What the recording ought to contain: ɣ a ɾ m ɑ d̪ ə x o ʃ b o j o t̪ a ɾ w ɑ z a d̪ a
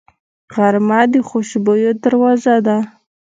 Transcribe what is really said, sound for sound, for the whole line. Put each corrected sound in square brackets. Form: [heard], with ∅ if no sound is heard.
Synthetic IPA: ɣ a ɾ m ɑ d̪ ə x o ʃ b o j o [d̪] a ɾ w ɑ z a d̪ a